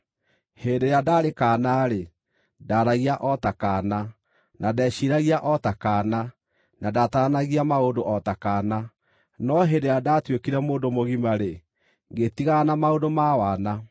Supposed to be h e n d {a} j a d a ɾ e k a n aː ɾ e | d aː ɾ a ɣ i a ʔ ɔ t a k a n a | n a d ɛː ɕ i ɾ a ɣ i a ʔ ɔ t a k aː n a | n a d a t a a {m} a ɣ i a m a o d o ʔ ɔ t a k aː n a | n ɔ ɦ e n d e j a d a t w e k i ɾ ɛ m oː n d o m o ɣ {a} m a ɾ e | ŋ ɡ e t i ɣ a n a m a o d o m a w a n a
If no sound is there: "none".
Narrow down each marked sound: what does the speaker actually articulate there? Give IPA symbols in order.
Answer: e, n, i

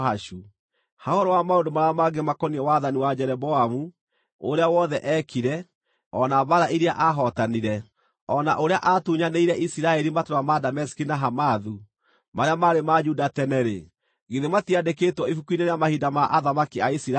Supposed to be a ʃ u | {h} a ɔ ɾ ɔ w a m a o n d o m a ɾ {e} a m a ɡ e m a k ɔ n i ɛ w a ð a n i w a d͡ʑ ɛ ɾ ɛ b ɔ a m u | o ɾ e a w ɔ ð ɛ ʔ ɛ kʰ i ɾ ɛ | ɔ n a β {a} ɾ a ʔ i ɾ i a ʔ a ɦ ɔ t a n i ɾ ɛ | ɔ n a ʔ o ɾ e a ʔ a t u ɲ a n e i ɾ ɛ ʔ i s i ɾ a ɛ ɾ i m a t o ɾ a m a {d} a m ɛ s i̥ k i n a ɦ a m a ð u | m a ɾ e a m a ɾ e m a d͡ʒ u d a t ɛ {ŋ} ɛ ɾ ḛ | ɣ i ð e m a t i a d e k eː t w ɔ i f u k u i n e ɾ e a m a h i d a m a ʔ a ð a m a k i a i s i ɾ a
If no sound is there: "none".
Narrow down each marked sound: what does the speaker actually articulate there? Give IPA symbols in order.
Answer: h, a, a, d, n

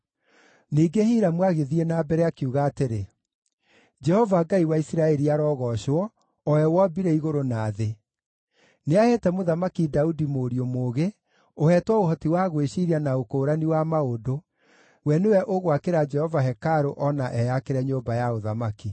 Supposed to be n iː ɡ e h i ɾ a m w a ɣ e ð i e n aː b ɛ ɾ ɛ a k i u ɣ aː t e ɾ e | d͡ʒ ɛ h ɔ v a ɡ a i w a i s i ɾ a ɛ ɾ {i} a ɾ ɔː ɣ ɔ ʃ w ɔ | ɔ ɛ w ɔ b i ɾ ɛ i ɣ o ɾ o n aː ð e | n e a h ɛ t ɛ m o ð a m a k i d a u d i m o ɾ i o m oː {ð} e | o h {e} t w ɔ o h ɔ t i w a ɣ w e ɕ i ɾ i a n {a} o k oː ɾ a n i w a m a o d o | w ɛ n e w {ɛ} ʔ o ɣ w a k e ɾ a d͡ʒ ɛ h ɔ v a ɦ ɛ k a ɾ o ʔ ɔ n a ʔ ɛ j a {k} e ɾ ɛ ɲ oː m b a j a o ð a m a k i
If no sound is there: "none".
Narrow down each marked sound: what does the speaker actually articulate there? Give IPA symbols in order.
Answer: i, ɣ, ɛ, a, ɛ, k

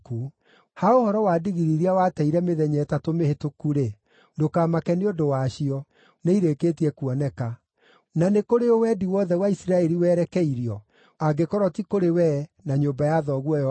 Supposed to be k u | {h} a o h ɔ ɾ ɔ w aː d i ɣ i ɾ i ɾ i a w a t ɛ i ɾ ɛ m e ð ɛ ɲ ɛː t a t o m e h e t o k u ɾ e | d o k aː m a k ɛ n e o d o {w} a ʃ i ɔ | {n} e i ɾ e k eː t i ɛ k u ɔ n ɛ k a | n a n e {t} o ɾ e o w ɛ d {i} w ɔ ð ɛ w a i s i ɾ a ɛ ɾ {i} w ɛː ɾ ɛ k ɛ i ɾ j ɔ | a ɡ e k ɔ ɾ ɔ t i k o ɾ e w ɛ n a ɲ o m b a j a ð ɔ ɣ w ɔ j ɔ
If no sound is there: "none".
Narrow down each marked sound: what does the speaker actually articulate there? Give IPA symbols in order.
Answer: h, w, n, k, i, i

